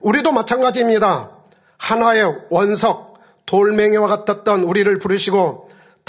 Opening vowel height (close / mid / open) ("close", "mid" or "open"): close